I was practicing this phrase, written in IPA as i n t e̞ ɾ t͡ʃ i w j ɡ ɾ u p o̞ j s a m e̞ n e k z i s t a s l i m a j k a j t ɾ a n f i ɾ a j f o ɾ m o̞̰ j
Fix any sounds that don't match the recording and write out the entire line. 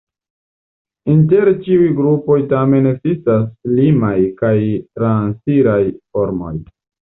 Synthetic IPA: i n t e̞ ɾ t͡ʃ i u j ɡ ɾ u p o̞ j t a m e̞ n e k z i s t a s l i m a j k a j t ɾ a n s i ɾ a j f o ɾ m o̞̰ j